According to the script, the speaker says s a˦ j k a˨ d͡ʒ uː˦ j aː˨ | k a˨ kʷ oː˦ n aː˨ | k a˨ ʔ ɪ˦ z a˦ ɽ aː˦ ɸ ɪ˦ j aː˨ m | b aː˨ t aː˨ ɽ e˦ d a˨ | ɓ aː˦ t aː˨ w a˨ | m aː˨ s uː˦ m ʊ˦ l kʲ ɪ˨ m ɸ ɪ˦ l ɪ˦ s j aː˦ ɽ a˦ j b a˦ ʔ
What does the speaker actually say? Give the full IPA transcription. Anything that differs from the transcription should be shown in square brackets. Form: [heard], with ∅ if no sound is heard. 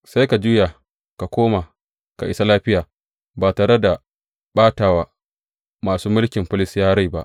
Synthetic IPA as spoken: s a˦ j k a˨ d͡ʒ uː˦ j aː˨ | k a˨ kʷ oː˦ [m] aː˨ | k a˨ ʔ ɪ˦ [s] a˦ [l] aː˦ ɸ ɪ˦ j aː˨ [∅] | b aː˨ t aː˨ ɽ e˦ d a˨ | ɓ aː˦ t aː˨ w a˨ | m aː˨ s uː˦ m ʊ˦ l kʲ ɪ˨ m ɸ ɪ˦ l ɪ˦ s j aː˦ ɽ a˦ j b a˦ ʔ